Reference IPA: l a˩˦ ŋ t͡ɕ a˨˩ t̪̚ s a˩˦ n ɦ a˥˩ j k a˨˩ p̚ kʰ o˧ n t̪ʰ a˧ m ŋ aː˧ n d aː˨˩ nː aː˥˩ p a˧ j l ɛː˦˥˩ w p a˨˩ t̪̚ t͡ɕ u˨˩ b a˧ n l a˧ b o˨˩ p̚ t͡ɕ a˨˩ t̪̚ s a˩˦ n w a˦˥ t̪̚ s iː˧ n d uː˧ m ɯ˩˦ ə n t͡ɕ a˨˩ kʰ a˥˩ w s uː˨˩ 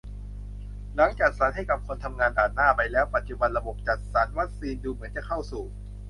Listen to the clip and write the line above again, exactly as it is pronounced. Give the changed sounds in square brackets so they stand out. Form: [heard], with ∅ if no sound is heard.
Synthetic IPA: l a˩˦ ŋ t͡ɕ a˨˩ t̪̚ s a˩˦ n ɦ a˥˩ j k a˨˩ p̚ kʰ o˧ n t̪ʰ a˧ m ŋ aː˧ n d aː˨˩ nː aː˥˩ p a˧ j l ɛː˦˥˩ w p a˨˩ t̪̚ t͡ɕ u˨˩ b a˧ n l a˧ b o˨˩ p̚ t͡ɕ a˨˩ t̪̚ s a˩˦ n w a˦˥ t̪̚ s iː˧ n d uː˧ m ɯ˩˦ ə n t͡ɕ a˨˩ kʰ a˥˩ w s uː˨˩